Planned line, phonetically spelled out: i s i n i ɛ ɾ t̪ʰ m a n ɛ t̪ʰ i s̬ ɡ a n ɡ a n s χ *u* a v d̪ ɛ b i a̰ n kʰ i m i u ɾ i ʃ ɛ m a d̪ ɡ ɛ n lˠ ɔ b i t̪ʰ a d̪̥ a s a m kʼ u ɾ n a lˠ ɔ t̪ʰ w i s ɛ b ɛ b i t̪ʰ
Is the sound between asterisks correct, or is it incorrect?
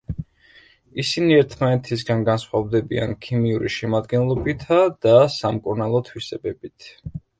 incorrect